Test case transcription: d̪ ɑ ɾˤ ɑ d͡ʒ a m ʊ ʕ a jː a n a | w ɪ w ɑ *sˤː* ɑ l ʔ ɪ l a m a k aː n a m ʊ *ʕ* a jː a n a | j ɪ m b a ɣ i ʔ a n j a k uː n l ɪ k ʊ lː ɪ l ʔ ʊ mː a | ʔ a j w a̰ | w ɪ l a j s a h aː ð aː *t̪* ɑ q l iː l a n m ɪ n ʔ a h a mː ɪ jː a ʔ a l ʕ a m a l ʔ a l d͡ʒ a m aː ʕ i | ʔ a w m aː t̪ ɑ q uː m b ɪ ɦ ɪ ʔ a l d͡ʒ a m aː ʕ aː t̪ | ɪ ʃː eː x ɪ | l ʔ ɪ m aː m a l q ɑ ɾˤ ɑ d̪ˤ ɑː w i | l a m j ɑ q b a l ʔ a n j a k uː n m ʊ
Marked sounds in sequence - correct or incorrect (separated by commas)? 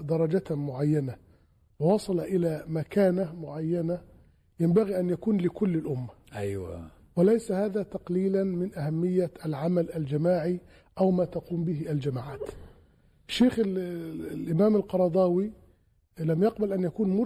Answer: incorrect, correct, correct